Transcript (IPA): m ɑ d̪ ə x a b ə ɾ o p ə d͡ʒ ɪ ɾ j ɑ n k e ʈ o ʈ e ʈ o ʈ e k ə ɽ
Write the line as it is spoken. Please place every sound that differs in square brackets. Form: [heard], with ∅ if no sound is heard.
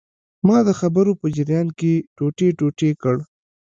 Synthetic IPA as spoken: m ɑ d̪ ə x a b ə ɾ o p ə d͡ʒ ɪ ɾ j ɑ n k e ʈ o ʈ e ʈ o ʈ e k ə ɽ